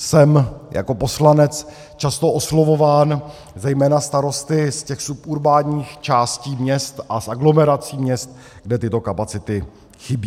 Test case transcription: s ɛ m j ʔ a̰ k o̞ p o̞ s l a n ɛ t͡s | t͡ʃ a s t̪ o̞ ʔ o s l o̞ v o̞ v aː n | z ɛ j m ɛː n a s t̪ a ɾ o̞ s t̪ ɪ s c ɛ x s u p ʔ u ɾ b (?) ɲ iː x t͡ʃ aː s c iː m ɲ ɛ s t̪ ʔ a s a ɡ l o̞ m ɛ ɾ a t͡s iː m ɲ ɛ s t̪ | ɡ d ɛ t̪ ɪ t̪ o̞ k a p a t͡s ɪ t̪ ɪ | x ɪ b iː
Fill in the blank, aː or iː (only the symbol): aː